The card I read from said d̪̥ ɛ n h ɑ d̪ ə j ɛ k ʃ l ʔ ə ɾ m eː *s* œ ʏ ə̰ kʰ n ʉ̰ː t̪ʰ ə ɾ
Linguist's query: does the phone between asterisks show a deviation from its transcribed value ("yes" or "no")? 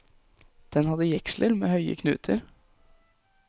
yes